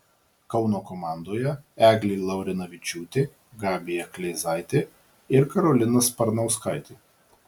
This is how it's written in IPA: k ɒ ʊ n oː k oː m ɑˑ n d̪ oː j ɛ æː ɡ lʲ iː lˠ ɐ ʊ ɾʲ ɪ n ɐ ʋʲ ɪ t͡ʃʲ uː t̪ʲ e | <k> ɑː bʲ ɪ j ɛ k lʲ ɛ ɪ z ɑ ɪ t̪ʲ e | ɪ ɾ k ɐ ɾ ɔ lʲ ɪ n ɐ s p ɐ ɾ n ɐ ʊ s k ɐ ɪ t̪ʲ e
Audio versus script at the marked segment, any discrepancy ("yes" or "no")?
yes